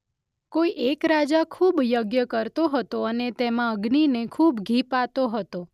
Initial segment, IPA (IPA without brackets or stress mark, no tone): k